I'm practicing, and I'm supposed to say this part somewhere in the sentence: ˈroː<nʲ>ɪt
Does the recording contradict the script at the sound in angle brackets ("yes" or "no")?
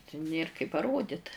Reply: yes